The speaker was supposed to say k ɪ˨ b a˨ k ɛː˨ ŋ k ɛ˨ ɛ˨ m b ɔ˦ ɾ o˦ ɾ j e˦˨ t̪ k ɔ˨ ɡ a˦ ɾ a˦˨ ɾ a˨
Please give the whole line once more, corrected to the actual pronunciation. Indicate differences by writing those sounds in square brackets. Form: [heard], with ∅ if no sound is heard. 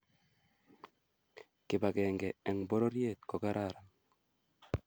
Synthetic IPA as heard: k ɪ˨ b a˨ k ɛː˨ ŋ [ɡ] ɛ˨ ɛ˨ [ŋ] b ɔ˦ ɾ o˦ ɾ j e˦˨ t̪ k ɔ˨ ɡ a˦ ɾ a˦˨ ɾ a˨